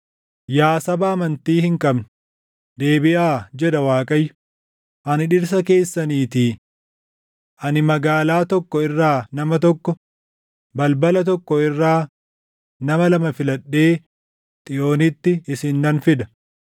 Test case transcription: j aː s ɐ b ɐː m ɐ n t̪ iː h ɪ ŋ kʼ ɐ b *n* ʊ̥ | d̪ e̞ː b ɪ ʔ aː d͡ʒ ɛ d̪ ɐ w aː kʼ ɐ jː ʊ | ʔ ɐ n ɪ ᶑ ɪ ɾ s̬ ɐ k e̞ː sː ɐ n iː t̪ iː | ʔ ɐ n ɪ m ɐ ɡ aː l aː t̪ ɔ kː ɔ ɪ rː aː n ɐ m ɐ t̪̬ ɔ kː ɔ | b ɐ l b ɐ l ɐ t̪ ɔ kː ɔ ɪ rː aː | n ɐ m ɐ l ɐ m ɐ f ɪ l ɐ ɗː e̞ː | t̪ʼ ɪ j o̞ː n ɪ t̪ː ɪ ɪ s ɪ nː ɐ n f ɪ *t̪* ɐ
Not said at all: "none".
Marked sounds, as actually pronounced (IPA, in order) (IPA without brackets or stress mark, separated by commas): n, d̪